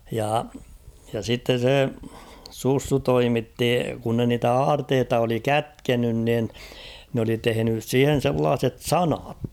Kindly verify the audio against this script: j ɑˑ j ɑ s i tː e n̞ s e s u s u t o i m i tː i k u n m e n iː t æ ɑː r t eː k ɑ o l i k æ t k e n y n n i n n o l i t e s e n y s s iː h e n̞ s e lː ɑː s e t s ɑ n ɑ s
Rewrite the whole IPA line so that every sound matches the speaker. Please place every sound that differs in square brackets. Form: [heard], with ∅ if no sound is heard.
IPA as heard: j ɑˑ j ɑ s i tː e n̞ s e s u [sː] u t o i m i tː i k u n [n] e n iː t æ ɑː r t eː [t] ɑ o l i k æ t k e n y n n i n n o l i t e [h] e n y s s iː h e n̞ s e lː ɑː s e t s ɑ n ɑ [t]